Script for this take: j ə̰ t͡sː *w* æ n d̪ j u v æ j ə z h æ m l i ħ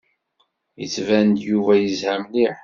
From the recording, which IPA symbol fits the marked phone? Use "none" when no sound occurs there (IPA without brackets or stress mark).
v